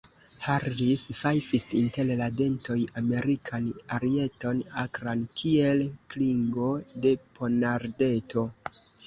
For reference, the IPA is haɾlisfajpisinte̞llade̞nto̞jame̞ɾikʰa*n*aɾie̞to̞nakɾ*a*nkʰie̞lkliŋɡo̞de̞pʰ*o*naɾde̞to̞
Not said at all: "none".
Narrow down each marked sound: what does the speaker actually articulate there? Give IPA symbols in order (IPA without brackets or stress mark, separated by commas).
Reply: n, a, o